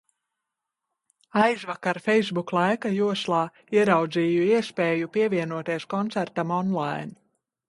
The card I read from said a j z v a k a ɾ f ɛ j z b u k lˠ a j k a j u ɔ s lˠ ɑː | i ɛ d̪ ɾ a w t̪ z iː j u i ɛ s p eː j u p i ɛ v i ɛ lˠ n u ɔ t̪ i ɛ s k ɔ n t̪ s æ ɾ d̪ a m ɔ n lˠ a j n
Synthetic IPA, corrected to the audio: a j z v a k a ɾ f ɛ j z b u k lˠ a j k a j u ɔ s lˠ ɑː | i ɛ ɾ a w d̪ z iː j u i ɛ s p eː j u p i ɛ v i ɛ n u ɔ t̪ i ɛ s k ɔ n t̪ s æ ɾ t̪ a m ɔ n lˠ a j n